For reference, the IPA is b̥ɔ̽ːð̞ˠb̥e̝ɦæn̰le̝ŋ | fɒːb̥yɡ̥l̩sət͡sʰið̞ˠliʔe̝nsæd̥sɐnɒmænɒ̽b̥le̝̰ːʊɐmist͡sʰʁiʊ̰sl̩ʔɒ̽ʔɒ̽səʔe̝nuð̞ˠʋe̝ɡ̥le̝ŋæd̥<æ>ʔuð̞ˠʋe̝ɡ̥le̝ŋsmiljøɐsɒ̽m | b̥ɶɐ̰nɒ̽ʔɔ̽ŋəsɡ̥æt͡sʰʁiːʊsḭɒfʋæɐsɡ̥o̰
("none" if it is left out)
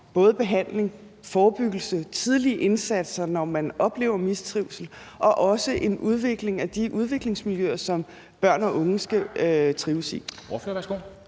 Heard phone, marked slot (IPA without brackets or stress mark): i